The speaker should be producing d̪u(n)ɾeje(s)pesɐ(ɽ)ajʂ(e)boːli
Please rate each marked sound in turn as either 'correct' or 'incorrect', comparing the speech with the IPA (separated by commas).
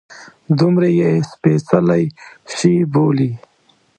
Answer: incorrect, correct, incorrect, incorrect